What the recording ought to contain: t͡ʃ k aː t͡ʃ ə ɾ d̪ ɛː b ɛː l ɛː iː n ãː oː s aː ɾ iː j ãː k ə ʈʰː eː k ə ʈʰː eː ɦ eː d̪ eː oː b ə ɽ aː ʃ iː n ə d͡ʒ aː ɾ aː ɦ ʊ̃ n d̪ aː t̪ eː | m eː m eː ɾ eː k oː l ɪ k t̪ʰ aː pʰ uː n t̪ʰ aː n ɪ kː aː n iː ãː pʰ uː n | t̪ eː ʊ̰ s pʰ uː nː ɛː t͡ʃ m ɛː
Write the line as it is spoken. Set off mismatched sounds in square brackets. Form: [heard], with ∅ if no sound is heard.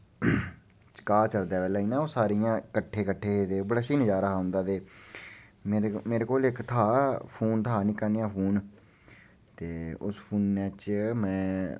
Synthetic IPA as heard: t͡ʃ k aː t͡ʃ ə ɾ d̪ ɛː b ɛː l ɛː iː n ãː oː s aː ɾ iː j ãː k ə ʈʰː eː k ə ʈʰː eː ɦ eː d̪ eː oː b ə ɽ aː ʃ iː n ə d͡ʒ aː ɾ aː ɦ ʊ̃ n d̪ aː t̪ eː | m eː m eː ɾ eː k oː l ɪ k t̪ʰ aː pʰ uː n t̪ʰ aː n ɪ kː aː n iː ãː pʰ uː n | t̪ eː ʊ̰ s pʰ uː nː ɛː t͡ʃ m [ɛ̃ː]